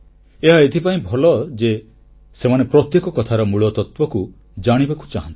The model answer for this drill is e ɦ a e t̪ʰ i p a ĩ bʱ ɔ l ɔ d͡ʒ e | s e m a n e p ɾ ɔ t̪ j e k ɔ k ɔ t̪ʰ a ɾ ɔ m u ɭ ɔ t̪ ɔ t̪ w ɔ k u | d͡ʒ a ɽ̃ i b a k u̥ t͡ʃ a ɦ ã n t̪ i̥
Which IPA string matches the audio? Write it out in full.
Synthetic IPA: e ɦ a e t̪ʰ i p a ĩ bʱ ɔ l ɔ d͡ʒ e | s e m a n e p ɾ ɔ t̪ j e k ɔ k ɔ t̪ʰ a ɾ ɔ m u ɭ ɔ t̪ ɔ t̪ w ɔ k u | d͡ʒ a ɽ̃ i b a k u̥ t͡ʃ a ɦ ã n t̪ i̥